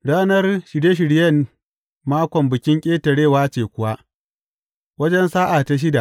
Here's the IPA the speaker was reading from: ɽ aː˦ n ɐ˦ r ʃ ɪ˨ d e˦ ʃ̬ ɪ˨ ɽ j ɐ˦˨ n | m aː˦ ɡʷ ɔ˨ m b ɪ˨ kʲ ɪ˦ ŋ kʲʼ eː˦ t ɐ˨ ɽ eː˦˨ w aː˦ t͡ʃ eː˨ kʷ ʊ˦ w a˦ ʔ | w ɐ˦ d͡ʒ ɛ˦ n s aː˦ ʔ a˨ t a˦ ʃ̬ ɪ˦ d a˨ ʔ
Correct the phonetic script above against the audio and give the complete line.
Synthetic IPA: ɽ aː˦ n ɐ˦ r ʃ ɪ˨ d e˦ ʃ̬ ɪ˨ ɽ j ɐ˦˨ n | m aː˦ kʷ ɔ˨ m b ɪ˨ kʲ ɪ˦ ŋ kʲʼ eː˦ t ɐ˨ ɽ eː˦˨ w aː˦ t͡ʃ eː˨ kʷ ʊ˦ w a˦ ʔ | w ɐ˦ d͡ʒ ɛ˦ n s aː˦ ʔ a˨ t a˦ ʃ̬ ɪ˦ d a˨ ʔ

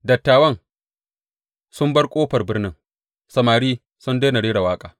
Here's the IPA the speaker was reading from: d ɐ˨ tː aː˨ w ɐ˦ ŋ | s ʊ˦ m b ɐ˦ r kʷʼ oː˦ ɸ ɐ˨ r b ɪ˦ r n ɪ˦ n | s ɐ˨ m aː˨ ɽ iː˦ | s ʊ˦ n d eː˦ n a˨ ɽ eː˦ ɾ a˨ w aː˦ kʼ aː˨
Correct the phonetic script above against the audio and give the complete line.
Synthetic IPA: d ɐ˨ tː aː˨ w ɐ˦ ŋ | s ʊ˦ m b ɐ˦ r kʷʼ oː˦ ɸ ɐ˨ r b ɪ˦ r n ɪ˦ ŋ | s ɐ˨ m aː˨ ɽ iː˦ | s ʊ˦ n d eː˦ n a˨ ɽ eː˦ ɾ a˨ w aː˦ kʼ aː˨

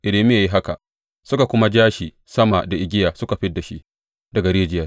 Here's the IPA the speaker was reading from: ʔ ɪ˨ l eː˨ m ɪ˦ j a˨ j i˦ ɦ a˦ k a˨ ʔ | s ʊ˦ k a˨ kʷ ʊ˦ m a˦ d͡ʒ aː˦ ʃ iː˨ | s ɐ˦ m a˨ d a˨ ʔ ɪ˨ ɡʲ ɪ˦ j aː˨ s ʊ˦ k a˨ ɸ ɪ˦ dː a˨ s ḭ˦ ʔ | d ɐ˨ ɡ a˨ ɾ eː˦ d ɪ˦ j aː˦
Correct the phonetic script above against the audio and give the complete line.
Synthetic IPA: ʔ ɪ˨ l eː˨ m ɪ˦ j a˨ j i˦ ɦ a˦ k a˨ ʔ | s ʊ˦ k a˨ kʷ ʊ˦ m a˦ d͡ʒ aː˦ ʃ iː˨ | s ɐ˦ m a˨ d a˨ ʔ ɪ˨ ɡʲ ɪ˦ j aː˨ s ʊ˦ k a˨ ɸ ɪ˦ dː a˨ ʃ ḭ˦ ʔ | d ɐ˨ ɡ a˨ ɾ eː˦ d͡ʒ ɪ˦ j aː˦

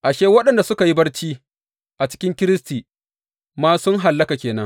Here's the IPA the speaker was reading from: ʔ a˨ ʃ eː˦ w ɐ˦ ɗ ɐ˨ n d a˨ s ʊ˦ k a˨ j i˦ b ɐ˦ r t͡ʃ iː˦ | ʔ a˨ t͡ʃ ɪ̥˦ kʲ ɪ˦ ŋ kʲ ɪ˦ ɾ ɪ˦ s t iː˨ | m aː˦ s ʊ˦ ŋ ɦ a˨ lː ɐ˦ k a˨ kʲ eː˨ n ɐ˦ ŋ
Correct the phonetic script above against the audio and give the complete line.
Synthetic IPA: ʔ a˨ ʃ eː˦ w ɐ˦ ɗ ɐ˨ n d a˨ s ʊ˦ k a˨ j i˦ b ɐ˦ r t͡ʃ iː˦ | ʔ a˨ t͡ʃ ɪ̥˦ kʲ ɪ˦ ŋ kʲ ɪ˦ ɾ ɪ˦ s t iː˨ | m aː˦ s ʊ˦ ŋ ɦ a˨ lː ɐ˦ k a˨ kʲ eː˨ n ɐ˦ ŋ

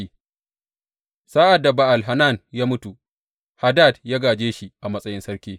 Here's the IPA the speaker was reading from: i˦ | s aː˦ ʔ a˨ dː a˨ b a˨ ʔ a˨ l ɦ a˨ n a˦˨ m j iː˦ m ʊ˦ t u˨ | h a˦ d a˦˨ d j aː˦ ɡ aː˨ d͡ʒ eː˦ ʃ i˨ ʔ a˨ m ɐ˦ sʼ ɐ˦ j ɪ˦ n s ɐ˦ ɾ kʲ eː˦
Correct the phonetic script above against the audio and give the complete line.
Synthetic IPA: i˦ | s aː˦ ʔ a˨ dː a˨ b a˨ ʔ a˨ l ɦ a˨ n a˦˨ n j aː˦ m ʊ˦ t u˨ | h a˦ d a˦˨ d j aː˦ ɡ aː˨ d͡ʒ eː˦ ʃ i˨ ʔ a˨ m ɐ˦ sʼ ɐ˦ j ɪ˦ n s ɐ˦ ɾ kʲ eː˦

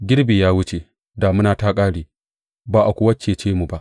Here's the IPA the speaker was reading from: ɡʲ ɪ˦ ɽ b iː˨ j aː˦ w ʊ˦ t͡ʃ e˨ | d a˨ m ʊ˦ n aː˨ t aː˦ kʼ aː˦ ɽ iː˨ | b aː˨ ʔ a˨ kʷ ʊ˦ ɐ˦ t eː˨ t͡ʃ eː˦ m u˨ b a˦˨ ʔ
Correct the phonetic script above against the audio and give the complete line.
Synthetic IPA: ɡʲ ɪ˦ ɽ b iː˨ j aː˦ w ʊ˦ t͡ʃ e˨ | d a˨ m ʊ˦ n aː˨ t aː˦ kʼ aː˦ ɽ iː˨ | b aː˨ ʔ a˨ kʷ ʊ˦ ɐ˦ t͡ʃ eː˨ t͡ʃ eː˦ m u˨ b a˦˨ ʔ

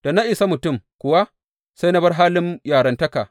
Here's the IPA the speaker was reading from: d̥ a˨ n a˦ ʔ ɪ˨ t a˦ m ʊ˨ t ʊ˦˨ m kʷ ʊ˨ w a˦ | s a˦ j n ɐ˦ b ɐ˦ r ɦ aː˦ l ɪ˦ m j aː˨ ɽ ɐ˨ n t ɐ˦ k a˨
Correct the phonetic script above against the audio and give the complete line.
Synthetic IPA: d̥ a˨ n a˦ ʔ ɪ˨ s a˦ m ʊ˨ t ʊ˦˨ m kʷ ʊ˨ w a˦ | s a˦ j n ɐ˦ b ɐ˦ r ɦ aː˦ l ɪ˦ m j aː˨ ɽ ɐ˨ n t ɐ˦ k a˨

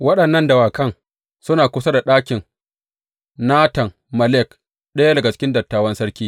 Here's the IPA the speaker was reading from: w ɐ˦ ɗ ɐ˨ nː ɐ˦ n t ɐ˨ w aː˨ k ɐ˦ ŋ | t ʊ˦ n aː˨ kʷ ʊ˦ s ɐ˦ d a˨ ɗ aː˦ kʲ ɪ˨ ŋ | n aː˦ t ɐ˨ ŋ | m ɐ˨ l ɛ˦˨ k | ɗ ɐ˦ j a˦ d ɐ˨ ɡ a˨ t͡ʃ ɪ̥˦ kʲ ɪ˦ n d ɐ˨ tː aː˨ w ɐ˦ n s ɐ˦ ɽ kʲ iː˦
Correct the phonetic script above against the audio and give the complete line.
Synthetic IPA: w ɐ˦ ɗ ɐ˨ nː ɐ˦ n d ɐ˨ w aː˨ k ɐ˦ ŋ | s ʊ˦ n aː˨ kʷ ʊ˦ s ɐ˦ d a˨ ɗ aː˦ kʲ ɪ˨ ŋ | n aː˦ t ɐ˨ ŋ | m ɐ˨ l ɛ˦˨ k | ɗ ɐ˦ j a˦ d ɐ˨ ɡ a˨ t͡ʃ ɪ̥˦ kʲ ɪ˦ n d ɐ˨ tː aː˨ w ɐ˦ n s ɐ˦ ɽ kʲ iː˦

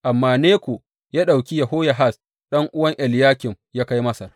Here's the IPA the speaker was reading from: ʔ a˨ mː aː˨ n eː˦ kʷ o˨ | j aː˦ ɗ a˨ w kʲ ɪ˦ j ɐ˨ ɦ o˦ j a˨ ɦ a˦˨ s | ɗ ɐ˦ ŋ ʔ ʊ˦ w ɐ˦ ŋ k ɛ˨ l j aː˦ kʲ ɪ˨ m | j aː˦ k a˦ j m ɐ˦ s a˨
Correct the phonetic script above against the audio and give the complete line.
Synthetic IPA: ʔ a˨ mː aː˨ n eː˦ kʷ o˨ | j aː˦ ɗ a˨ w kʲ i˦ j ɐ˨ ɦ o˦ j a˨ ɦ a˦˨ s | ɗ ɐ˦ ŋ ʔ ʊ˦ w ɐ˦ ŋ ʔ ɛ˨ l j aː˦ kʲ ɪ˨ m | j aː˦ k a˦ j m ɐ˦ s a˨

